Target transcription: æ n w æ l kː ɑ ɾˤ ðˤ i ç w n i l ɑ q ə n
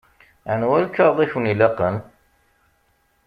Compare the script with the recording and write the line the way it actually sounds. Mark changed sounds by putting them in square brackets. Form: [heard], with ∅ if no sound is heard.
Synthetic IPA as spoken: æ n w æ l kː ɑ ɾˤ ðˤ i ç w n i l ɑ q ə n